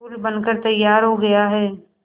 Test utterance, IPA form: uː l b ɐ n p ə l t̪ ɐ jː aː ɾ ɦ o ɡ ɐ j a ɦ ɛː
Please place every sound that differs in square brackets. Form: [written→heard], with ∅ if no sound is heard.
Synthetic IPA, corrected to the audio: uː l b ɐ n [p→k] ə [l→ɾ] t̪ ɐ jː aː ɾ ɦ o ɡ ɐ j a ɦ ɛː